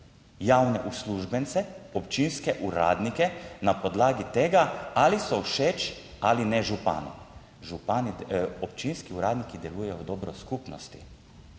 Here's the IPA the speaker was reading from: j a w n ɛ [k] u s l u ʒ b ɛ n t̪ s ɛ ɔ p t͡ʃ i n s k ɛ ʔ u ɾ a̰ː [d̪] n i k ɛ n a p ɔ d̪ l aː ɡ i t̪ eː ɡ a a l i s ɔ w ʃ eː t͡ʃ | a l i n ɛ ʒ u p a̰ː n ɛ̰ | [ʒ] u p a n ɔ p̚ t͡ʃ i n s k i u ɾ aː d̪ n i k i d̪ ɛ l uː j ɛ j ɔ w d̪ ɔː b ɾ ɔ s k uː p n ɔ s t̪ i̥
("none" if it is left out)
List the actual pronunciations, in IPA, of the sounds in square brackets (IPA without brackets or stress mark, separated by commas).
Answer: ʔ, d̪, ʒ